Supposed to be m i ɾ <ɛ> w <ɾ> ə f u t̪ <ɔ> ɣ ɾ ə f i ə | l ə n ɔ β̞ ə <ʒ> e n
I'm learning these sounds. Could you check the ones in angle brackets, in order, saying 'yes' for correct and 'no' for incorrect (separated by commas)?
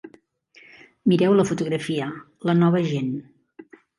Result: yes, no, no, yes